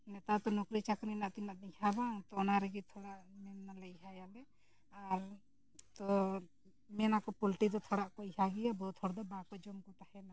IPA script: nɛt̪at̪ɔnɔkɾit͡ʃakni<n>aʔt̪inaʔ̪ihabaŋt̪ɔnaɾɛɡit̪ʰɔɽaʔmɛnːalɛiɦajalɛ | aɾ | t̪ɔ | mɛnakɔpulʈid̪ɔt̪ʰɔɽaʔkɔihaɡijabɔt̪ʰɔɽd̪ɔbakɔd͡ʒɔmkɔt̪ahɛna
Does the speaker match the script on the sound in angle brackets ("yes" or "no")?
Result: yes